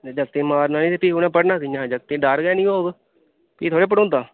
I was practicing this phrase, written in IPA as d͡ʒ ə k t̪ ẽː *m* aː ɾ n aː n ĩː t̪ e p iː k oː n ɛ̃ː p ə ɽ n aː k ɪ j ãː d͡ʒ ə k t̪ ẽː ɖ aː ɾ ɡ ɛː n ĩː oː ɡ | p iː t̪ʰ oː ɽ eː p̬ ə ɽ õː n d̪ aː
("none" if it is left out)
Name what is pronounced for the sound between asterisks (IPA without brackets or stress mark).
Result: m